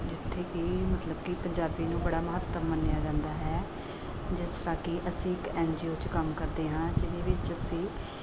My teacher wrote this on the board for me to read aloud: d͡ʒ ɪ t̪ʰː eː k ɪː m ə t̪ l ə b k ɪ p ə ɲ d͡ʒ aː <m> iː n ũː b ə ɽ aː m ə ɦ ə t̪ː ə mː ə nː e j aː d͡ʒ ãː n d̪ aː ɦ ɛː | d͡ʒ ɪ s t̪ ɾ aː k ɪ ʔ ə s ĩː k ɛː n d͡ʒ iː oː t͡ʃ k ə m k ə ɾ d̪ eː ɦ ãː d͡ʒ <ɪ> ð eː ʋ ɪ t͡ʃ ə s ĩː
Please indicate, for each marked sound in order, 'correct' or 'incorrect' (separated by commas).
incorrect, correct